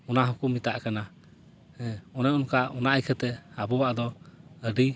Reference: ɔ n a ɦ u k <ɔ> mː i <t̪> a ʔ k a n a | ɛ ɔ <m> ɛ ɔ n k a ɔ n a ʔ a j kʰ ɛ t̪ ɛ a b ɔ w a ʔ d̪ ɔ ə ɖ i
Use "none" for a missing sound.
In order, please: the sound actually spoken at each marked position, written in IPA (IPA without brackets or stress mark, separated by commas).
u, t̪, n